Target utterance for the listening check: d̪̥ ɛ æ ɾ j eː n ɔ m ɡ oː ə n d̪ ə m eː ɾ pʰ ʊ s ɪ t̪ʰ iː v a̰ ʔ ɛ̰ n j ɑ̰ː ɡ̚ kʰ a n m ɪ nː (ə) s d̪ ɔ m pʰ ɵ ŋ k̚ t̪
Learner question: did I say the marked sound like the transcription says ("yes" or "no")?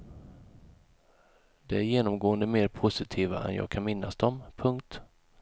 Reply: no